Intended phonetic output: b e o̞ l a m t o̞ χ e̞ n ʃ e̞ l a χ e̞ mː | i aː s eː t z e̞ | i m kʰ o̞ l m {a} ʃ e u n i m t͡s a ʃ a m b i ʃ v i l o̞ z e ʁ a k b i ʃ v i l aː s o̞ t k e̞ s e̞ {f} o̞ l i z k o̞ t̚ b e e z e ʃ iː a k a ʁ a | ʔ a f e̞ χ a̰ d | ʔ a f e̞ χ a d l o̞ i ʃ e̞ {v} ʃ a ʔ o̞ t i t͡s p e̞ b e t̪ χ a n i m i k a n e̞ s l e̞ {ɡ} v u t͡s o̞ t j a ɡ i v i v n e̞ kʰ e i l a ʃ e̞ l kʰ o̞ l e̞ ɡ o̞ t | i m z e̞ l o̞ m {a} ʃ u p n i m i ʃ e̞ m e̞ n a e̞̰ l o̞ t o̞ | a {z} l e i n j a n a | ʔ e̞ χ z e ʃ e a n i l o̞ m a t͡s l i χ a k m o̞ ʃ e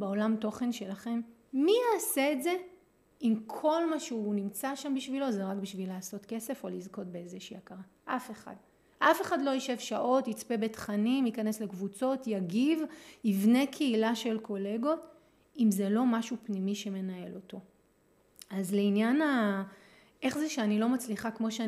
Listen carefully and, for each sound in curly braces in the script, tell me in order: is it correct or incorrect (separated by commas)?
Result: correct, correct, correct, incorrect, correct, correct